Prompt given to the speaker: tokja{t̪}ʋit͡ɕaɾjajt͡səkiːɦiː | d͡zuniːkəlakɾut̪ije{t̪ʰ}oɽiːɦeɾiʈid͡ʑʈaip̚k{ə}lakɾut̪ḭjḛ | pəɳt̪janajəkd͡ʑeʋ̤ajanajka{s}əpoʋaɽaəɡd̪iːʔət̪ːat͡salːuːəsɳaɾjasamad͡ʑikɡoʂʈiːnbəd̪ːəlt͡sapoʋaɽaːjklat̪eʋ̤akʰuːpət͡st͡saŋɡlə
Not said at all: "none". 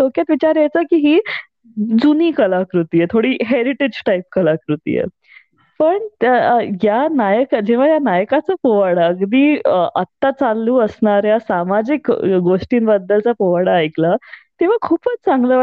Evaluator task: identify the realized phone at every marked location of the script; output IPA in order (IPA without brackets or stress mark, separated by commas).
t̪, t̪ʰ, ə, t͡s